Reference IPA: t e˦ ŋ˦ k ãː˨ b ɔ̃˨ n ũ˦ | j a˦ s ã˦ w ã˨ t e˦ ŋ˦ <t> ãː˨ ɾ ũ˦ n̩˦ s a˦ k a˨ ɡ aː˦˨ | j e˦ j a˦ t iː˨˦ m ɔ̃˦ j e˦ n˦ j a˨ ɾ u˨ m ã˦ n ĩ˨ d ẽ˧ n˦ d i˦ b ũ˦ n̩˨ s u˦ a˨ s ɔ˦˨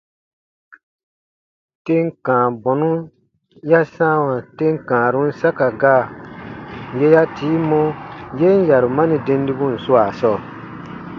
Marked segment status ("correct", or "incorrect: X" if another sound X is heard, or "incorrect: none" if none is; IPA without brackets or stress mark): incorrect: k